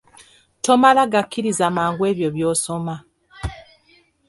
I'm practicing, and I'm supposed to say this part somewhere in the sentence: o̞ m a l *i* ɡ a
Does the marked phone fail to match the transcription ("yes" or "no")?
yes